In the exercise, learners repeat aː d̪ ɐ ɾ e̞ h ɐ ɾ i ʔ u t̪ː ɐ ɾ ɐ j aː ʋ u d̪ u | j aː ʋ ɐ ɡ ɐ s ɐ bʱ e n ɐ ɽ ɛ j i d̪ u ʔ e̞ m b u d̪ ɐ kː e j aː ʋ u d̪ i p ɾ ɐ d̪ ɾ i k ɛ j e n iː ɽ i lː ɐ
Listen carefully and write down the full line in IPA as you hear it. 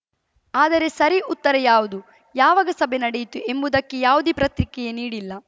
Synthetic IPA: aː d̪ ɐ ɾ e̞ s ɐ ɾ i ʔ u t̪ː ɐ ɾ ɐ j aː ʋ u d̪ u | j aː ʋ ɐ ɡ ɐ s ɐ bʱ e n ɐ ɽ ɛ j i t̪ u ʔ e̞ m b u d̪ ɐ kː e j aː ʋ u d̪ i p ɾ ɐ t̪ ɾ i k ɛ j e n iː ɽ i lː ɐ